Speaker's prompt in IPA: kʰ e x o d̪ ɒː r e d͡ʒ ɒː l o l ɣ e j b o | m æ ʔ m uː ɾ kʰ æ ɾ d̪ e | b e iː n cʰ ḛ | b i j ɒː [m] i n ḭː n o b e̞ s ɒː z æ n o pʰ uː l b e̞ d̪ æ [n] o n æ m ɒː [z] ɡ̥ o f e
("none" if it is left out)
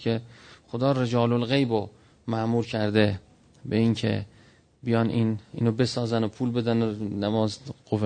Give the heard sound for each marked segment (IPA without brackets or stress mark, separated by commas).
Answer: n, n, z